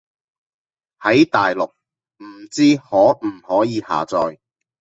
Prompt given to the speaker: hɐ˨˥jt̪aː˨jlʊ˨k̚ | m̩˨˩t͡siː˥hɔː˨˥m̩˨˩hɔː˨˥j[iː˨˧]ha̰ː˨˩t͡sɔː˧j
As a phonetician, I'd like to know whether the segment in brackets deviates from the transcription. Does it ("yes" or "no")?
no